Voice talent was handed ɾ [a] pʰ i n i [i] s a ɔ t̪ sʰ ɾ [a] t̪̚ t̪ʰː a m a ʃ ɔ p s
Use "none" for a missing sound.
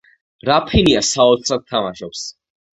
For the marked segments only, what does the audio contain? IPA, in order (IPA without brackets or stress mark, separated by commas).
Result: a, a, a